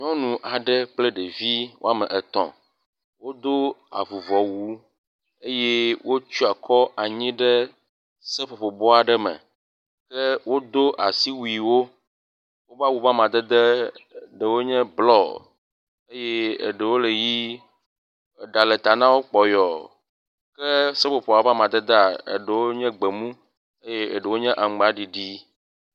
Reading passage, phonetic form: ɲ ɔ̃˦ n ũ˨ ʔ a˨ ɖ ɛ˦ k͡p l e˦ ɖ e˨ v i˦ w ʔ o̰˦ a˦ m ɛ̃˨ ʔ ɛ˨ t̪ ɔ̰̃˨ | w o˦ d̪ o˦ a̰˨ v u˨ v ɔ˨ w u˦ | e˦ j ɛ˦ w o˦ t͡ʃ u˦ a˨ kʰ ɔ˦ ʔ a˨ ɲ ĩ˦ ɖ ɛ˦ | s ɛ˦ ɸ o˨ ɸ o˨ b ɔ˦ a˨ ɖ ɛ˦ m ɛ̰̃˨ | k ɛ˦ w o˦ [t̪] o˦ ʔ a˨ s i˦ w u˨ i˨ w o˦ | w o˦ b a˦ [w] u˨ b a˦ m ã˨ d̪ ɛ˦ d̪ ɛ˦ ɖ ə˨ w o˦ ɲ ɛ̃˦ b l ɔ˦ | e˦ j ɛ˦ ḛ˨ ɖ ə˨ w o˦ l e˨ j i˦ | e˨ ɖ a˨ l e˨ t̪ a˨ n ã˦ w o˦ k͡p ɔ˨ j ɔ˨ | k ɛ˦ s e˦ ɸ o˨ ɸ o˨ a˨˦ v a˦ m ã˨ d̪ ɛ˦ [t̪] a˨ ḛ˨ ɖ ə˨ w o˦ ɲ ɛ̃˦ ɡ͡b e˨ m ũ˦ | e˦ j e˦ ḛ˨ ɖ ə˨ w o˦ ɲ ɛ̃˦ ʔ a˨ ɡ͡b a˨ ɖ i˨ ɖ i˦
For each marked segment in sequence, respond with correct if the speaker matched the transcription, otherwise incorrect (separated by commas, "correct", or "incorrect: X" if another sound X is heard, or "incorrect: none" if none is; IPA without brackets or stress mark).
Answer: incorrect: d̪, correct, incorrect: d̪